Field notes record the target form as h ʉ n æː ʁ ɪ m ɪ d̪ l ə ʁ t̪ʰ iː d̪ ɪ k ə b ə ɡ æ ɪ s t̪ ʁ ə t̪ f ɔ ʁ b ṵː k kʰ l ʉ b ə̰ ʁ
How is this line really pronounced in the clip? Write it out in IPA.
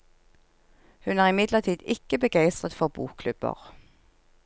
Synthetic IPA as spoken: h ʉ n æː ʁ ɪ m ɪ d̪ l ə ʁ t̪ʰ iː d̪ ɪ k ə b ə ɡ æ ɪ s t̪ ʁ ə t̪ f ɔ ʁ b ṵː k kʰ l ʉ b ə̰ ʁ